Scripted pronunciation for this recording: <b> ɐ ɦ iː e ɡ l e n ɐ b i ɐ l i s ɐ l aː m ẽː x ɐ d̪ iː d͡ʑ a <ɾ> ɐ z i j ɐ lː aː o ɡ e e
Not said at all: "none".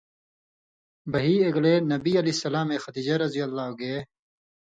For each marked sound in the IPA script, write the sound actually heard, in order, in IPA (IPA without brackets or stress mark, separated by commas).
b, ɾ